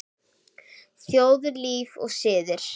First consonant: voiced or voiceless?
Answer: voiceless